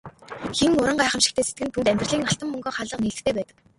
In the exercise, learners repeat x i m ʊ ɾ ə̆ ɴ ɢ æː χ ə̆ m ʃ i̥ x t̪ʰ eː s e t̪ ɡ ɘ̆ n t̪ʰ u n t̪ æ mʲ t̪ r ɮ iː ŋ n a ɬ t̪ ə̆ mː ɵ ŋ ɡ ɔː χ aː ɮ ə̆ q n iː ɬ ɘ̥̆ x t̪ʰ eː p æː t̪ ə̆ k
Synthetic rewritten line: x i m ʊ ɾ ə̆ ɴ ɢ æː χ ə̆ m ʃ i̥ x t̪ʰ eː s e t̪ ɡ ɘ̆ n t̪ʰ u n t̪ æ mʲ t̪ r ɮ iː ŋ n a ɬ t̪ ə̆ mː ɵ ŋ ɡ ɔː χ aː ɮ ə̆ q n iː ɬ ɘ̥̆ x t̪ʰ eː p æː t̪ ə̆ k